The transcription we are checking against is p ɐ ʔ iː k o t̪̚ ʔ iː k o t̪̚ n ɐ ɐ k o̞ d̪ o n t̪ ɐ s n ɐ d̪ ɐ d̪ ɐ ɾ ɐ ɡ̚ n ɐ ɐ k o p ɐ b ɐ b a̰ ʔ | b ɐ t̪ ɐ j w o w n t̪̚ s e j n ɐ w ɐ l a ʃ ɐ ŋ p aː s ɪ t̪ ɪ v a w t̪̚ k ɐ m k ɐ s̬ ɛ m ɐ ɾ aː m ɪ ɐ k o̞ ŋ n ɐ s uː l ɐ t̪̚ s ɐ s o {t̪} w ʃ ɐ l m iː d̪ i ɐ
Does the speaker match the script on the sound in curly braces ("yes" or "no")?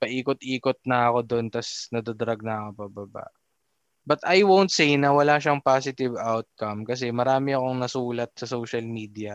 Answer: no